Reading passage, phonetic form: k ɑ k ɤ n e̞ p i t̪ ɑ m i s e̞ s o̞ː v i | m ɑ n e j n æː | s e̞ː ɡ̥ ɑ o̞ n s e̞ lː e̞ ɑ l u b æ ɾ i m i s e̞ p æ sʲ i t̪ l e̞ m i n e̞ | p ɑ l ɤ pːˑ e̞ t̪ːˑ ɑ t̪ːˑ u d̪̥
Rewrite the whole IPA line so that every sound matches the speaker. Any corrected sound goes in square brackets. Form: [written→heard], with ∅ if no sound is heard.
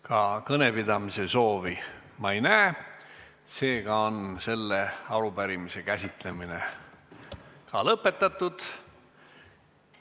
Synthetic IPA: k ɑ k ɤ n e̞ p i [t̪→d̪] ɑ m i s e̞ s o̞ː v i | m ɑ [n→∅] e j n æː | s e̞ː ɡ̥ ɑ o̞ n s e̞ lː e̞ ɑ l u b æ ɾ i m i s e̞ [p→k] æ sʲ i t̪ l e̞ m i n e̞ | [p→k] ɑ l ɤ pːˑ e̞ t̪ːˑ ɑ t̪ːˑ u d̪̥